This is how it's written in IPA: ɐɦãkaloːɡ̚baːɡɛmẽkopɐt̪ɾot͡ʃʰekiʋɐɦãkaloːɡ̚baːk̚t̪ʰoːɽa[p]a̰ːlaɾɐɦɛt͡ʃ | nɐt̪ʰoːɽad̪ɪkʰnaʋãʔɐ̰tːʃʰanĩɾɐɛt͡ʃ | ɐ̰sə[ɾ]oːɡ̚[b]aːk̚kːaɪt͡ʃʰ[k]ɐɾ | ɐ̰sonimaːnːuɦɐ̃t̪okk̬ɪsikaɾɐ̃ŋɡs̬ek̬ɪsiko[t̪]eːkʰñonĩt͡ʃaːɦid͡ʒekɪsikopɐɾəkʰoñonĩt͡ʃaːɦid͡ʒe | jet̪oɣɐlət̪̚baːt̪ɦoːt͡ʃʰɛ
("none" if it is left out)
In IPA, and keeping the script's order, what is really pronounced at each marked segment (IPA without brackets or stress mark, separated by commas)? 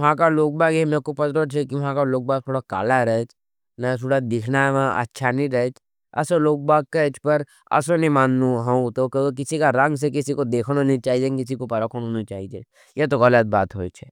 k, l, b, p, d̪